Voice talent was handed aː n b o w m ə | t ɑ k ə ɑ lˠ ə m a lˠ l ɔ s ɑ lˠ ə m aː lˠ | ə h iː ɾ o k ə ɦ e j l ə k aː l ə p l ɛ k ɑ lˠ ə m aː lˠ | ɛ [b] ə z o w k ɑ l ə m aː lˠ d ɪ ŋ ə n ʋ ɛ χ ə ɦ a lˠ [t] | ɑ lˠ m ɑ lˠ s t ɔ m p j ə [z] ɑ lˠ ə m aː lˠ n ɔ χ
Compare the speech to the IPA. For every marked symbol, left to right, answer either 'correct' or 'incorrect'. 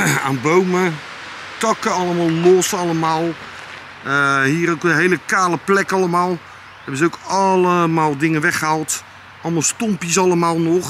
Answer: correct, correct, incorrect: s

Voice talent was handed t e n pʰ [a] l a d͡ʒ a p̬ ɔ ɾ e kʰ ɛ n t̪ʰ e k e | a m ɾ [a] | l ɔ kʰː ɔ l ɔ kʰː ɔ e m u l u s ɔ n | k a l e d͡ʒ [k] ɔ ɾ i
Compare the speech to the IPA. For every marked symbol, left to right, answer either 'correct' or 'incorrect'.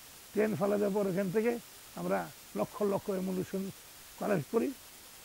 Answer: correct, correct, correct

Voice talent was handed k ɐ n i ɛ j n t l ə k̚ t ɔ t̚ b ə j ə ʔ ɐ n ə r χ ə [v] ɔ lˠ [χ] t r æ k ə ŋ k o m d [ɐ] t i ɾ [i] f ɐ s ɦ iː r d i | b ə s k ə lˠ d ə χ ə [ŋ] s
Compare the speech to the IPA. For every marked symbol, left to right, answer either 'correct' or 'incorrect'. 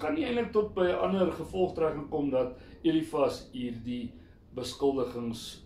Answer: incorrect: f, correct, correct, correct, correct

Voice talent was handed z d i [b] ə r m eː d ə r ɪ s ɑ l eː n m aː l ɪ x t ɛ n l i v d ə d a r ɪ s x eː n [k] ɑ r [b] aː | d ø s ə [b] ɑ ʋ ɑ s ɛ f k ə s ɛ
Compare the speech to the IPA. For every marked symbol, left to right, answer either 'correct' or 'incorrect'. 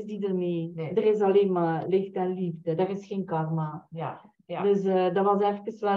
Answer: incorrect: d, correct, incorrect: m, incorrect: d

